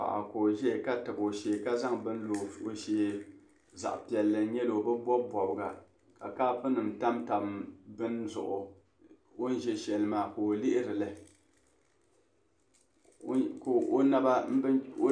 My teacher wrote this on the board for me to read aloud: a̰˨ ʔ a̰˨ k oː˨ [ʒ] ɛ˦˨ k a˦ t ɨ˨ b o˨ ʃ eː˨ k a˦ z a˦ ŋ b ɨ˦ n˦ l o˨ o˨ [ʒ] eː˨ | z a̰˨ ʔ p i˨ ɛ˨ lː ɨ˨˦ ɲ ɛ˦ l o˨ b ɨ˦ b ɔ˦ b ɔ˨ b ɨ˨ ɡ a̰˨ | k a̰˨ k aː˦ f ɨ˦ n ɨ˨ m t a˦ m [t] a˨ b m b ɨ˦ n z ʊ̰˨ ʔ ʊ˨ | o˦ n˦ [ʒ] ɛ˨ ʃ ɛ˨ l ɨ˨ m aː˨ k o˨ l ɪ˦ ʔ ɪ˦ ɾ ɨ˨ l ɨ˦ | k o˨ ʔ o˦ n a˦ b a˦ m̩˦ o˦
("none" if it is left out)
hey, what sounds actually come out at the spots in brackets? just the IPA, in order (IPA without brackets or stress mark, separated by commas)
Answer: ʒ, ʃ, t, ʒ